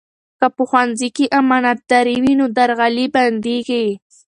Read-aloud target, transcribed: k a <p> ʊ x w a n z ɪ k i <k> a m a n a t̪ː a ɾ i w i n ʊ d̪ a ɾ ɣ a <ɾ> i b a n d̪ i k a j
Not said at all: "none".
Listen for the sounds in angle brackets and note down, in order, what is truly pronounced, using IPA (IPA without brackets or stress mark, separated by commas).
p, ʔ, l